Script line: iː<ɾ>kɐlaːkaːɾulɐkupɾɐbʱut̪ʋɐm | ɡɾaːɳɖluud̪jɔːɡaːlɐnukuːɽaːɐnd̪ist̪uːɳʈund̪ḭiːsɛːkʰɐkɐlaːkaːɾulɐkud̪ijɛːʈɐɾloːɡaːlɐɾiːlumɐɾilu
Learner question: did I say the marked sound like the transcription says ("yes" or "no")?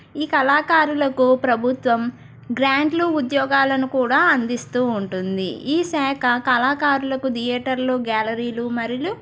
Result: no